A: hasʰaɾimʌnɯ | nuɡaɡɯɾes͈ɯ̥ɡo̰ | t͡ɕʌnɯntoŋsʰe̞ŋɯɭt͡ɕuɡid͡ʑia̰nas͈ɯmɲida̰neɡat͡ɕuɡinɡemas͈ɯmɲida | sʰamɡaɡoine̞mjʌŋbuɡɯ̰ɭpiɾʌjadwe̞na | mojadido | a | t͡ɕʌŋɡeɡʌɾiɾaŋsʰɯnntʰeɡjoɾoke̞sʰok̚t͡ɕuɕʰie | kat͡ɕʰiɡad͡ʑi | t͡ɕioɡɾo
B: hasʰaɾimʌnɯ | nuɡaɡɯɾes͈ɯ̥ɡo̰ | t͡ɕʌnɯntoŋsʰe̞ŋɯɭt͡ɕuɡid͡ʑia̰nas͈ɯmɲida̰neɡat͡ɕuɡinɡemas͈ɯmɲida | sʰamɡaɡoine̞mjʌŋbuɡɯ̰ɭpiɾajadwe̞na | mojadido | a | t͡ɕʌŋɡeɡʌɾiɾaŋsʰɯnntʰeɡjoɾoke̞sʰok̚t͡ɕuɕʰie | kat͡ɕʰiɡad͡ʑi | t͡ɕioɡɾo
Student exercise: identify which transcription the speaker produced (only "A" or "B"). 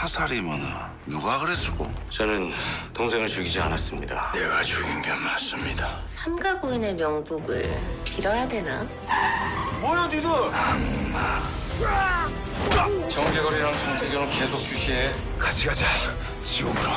A